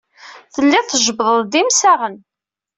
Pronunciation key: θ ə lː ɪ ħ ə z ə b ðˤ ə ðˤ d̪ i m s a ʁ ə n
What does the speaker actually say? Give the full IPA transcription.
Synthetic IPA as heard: θ ə lː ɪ θ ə ʒ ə b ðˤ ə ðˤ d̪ i m s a ʁ ə n

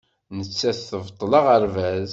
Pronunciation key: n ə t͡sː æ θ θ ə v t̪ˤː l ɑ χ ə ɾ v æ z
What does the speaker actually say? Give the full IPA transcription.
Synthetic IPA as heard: n ə t͡sː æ θ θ ə v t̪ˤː l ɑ ʁ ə ɾ v æ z

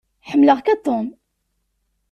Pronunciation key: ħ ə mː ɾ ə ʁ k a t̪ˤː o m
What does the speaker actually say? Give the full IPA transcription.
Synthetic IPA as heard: ħ ə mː l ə ʁ k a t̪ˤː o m

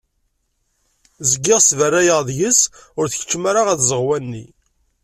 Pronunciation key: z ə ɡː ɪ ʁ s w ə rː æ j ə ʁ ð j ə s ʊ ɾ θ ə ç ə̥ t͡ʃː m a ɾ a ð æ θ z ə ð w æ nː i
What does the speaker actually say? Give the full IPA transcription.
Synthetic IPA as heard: z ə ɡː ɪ ʁ s v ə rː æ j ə ʁ ð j ə s ʊ ɾ θ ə ç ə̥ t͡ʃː m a ɾ a ʁ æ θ z ə ʁ w æ nː i

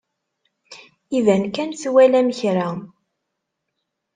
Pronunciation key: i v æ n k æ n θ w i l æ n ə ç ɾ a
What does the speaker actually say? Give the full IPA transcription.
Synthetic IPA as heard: i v æ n k æ n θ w æ l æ m ə ç ɾ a

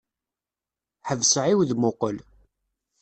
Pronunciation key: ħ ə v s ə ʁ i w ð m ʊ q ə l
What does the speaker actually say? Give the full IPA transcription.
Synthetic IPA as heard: ħ ə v s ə ʕ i w ð m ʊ q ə l

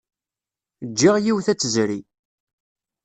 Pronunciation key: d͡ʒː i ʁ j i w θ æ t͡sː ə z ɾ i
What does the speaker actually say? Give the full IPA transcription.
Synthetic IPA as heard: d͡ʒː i ʁ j i w θ æ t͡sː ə z ɾ i

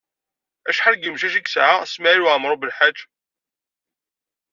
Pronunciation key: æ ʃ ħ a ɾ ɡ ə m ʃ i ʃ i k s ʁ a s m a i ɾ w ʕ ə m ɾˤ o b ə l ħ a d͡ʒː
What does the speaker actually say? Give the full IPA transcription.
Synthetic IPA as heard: æ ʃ ħ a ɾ ɡ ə m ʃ æ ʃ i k s ʕ a s m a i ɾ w ʕ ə m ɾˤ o b ə l ħ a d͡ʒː

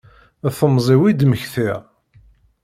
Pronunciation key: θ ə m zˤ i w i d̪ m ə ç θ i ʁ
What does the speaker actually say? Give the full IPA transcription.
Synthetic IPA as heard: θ ə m zˤ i w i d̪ m ə ç θ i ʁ

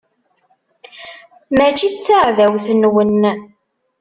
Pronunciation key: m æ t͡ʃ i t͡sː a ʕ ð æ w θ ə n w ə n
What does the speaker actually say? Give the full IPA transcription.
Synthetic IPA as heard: m æ t͡ʃ i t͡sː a ʕ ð æ w θ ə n w ə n

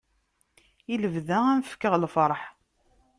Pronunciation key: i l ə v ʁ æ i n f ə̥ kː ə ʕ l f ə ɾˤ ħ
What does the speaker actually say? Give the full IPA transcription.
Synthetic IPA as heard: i l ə v ð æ æ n f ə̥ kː ə ʁ l f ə ɾˤ ħ

